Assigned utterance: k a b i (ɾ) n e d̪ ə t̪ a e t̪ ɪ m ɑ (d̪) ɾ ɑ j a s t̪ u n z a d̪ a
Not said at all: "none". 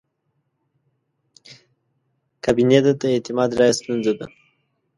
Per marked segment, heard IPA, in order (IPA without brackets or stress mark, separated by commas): none, d̪